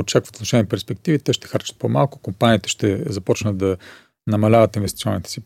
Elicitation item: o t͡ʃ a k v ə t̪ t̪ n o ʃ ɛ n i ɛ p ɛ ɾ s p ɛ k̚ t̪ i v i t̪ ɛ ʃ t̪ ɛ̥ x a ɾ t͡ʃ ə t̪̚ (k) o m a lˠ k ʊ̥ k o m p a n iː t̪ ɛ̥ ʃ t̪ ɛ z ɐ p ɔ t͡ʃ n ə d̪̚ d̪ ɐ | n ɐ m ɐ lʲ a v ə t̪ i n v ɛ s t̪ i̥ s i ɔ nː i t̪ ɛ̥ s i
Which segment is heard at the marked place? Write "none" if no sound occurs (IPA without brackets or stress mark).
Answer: p